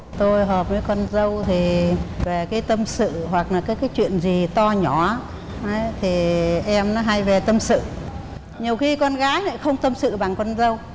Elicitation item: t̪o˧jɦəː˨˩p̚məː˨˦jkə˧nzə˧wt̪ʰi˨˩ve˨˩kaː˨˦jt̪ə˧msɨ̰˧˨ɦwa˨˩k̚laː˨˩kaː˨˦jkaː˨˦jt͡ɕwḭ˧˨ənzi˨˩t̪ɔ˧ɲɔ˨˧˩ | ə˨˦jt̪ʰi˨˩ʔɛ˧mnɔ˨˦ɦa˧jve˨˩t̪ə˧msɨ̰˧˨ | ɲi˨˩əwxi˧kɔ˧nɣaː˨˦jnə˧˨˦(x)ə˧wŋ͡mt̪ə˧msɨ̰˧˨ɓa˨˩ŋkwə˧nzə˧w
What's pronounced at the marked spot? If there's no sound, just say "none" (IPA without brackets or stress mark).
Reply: x